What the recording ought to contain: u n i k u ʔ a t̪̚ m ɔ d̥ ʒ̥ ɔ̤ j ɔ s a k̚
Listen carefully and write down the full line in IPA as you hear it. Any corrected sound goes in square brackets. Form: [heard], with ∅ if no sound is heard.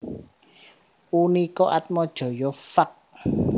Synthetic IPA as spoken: u n i k [ɔ] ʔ a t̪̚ m ɔ d̥ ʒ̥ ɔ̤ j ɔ [f] a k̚